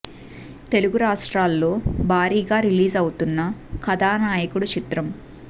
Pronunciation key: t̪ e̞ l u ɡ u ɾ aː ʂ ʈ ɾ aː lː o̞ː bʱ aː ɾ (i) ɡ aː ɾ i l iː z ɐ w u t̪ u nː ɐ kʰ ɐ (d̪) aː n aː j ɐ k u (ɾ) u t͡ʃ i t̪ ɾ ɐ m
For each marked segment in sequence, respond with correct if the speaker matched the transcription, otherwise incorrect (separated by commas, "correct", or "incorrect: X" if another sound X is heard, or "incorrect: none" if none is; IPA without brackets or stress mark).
incorrect: iː, correct, incorrect: ɽ